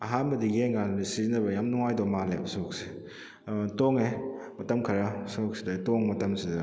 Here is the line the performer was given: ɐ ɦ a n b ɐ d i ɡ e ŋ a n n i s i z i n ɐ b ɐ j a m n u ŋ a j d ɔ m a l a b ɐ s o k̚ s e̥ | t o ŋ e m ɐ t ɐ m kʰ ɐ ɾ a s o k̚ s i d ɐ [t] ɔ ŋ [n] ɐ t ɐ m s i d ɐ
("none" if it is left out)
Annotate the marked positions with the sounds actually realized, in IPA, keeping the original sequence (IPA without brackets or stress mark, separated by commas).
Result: t, m